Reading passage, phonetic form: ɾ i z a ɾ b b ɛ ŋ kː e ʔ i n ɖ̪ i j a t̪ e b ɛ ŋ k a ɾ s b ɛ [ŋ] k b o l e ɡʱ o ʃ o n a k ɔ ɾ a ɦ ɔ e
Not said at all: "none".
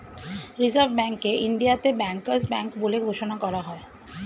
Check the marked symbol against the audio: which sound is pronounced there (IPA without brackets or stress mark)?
ŋ